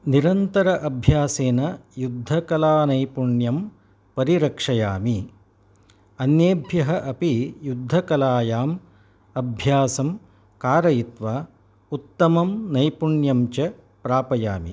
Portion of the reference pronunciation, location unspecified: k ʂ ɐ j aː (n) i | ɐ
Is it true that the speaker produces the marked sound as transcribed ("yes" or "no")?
no